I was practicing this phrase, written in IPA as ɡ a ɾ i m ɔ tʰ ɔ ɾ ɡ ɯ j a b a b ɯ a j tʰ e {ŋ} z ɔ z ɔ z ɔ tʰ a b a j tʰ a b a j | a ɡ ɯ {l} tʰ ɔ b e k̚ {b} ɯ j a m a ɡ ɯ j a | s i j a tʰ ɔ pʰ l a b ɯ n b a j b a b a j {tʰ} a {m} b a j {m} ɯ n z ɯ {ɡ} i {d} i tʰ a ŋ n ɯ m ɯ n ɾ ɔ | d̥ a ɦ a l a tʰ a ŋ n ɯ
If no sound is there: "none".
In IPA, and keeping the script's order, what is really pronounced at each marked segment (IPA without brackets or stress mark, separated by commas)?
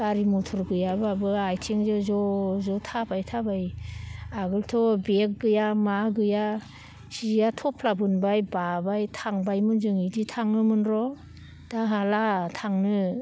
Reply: ŋ, l, ɡ, tʰ, ŋ, m, ŋ, d